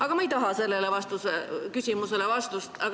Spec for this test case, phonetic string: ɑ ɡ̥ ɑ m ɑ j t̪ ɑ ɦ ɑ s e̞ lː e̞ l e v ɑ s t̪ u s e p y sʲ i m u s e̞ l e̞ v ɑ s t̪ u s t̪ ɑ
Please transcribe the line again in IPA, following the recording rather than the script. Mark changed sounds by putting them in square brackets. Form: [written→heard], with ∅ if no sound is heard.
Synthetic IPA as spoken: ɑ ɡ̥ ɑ m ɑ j t̪ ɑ ɦ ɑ s e̞ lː e̞ l e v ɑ s t̪ u s e [p→k] y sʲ i m u s e̞ l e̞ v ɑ s t̪ u s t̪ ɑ